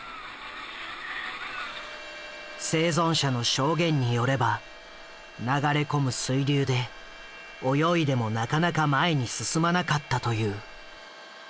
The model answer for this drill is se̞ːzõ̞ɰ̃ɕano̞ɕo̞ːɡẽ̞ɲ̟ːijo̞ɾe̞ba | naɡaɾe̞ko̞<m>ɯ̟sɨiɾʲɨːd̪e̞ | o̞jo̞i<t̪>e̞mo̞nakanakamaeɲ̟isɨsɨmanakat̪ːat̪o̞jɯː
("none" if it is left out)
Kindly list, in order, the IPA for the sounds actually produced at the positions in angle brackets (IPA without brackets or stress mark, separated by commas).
m, d̪